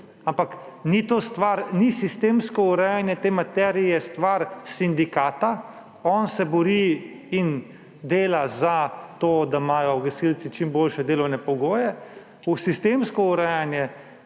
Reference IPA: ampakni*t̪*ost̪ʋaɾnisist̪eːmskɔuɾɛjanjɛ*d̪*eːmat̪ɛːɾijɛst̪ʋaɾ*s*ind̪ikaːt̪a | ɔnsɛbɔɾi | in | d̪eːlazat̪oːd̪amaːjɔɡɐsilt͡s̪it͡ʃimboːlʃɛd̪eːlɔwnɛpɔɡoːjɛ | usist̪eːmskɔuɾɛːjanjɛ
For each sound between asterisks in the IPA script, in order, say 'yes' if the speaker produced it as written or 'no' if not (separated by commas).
yes, no, yes